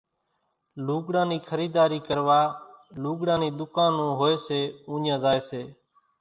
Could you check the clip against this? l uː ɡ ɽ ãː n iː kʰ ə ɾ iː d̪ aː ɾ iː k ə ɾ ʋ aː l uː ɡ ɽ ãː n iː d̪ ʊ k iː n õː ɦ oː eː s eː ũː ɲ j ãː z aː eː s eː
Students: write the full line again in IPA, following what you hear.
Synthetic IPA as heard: l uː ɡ ɽ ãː n iː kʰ ə ɾ iː d̪ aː ɾ iː k ə ɾ ʋ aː l uː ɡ ɽ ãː n iː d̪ ʊ k aː n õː ɦ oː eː s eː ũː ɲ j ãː z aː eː s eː